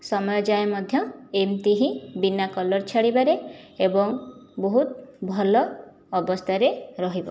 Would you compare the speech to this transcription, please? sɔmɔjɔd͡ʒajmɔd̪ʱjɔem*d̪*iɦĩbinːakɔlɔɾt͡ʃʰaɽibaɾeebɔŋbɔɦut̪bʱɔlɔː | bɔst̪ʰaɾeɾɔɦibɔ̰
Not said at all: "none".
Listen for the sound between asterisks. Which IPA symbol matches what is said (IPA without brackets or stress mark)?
t̪